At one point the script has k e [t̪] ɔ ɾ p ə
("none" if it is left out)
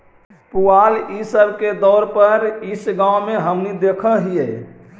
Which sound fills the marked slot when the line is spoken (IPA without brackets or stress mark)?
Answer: d̪